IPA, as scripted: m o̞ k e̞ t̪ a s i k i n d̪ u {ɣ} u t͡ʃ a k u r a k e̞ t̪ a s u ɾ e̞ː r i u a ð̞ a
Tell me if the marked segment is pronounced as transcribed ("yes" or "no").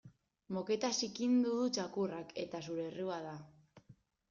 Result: no